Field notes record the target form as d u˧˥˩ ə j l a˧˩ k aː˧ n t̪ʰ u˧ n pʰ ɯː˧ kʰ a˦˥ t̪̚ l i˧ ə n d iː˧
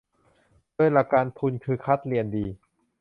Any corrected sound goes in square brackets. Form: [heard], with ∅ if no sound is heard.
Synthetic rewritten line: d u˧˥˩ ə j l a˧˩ k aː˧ n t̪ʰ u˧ n [kʰ] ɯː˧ kʰ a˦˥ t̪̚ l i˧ ə n d iː˧

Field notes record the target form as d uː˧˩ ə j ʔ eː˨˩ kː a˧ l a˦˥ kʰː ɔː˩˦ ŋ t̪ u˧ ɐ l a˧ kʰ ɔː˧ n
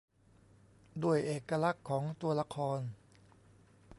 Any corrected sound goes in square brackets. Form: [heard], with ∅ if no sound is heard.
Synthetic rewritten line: d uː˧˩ ə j ʔ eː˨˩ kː a˧ l a˦˥ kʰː ɔː˩˦ ŋ t̪ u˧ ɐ l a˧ kʰ ɔː˧ n

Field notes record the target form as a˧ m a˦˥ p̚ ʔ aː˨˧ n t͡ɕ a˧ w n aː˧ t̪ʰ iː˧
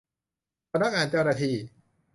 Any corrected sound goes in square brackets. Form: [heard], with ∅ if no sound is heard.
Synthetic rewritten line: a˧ [n] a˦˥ [k̚] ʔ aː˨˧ n t͡ɕ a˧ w n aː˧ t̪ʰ iː˧

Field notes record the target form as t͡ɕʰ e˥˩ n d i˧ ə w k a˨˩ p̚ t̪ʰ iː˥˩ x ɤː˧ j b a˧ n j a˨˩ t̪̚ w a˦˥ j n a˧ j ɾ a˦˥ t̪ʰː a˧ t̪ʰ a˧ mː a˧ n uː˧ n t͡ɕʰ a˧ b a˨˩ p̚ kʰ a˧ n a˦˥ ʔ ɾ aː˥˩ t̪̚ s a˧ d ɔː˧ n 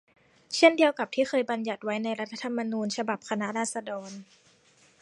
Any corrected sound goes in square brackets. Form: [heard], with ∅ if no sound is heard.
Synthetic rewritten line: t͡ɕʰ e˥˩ n d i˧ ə w k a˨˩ p̚ t̪ʰ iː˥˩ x ɤː˧ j b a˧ n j a˨˩ t̪̚ w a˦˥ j n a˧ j ɾ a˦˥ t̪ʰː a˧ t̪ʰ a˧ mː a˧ n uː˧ n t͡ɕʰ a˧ b a˨˩ p̚ kʰ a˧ n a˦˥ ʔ ɾ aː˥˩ t̪̚ s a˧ d ɔː˧ n

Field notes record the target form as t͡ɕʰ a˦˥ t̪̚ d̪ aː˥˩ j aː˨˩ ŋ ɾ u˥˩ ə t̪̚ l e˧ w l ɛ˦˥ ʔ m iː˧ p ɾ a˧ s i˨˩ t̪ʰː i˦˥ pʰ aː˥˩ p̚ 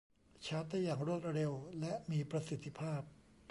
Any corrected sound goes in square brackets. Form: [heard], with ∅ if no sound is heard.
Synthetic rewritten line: t͡ɕʰ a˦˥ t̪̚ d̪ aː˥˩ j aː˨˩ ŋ ɾ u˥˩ ə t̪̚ [ɾ] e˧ w l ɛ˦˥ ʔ m iː˧ p ɾ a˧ s i˨˩ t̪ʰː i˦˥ pʰ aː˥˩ p̚

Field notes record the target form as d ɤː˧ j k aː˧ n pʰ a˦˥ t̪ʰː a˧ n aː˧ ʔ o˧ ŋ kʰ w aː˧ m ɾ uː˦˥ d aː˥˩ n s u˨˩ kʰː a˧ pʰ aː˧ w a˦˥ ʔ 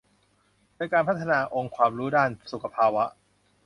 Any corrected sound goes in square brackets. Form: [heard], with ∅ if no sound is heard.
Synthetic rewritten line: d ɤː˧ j k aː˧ n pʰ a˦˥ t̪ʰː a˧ n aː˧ ʔ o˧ ŋ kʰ w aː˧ m ɾ uː˦˥ d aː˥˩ n s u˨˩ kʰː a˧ pʰ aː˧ w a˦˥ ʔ

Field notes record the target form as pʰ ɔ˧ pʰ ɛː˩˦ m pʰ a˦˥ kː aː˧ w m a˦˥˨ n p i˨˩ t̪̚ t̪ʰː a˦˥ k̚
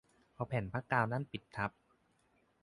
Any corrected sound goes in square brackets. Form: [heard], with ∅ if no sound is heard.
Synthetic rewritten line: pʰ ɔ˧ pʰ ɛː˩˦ [n] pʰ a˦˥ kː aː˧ w [n] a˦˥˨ n p i˨˩ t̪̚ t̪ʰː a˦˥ [p̚]

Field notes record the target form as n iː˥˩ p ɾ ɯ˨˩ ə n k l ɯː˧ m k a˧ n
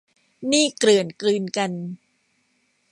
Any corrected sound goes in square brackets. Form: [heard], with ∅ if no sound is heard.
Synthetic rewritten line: n iː˥˩ [k] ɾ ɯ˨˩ ə n k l ɯː˧ [n] k a˧ n

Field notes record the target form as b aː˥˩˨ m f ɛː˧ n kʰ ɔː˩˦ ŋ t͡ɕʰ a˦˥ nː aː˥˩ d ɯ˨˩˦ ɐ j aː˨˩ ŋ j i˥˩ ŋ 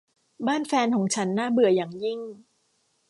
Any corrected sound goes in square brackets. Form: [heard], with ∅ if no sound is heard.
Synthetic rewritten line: b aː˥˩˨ [n] f ɛː˧ n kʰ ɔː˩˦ ŋ t͡ɕʰ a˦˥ nː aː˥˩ [b] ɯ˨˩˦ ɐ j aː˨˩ ŋ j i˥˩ ŋ

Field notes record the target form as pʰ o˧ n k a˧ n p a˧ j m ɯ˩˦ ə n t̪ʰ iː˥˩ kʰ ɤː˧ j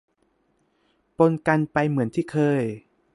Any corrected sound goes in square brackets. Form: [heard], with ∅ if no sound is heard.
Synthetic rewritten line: [p] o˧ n k a˧ n p a˧ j m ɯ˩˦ ə n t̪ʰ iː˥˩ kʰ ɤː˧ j

